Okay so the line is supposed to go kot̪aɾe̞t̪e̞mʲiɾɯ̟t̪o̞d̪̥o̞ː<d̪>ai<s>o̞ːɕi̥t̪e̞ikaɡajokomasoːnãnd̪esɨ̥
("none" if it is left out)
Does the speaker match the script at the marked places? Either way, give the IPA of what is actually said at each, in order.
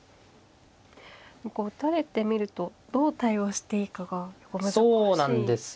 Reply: t̪, none

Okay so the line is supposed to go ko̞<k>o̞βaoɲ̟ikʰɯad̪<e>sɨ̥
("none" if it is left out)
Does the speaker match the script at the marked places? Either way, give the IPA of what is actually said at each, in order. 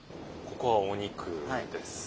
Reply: k, e

